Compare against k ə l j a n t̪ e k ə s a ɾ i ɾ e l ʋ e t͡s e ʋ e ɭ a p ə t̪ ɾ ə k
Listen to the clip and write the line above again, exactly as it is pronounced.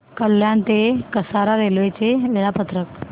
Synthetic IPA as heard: k ə l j a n t̪ e k ə s a ɾ a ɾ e l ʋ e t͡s e ʋ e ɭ a p ə t̪ ɾ ə k